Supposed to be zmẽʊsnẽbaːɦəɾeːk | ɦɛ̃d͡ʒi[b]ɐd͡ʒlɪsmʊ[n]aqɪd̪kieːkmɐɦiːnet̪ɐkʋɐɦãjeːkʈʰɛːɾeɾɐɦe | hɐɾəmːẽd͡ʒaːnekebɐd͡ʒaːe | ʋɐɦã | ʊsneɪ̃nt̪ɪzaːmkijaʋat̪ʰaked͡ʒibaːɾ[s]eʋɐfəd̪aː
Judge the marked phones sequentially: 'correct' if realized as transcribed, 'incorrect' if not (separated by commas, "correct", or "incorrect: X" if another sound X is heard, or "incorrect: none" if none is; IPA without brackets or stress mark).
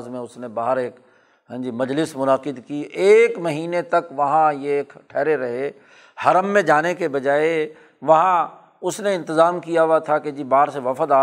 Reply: incorrect: m, correct, correct